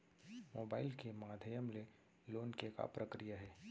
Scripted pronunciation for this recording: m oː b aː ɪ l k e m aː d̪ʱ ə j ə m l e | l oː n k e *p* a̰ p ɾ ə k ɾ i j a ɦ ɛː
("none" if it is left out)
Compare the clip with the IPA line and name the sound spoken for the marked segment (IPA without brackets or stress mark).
k